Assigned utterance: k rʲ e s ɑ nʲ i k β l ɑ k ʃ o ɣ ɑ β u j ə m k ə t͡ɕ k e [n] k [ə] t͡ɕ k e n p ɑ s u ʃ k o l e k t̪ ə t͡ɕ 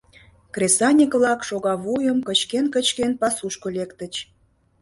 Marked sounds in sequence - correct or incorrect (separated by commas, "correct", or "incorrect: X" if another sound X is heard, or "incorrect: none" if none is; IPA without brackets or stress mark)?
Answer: correct, correct